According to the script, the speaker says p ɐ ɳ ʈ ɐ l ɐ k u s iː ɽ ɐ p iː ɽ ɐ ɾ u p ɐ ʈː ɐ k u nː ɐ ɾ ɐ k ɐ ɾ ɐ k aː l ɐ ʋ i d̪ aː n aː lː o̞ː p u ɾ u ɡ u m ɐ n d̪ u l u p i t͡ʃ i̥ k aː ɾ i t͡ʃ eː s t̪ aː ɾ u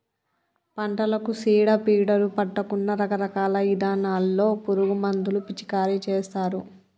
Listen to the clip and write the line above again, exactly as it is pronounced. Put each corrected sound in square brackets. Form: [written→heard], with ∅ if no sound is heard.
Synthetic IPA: p ɐ ɳ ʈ ɐ l ɐ k u s iː ɽ ɐ p iː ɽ ɐ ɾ u p ɐ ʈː ɐ k u nː ɐ ɾ ɐ k ɐ ɾ ɐ k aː l ɐ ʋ i d̪ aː n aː lː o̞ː p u ɾ u ɡ u m ɐ n d̪ u l u p i t͡ʃ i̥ k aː ɾ i t͡ʃ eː s t̪ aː ɾ u